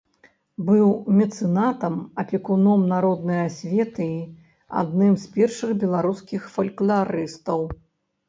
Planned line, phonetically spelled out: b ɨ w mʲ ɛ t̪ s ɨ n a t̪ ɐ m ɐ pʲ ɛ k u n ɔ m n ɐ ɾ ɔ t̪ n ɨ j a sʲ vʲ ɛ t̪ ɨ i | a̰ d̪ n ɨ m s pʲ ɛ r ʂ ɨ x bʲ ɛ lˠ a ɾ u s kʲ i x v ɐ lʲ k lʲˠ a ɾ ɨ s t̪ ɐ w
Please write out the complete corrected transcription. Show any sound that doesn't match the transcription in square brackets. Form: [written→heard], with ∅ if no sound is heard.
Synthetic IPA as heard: b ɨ w mʲ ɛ t̪ s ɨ n a t̪ ɐ m ɐ pʲ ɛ k u n ɔ m n [ɐ→a] ɾ ɔ [t̪→d̪] n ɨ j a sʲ vʲ ɛ t̪ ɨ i | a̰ d̪ n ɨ m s pʲ ɛ r ʂ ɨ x bʲ ɛ lˠ a ɾ u s kʲ i x [v→f] ɐ lʲ k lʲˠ a ɾ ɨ s t̪ ɐ w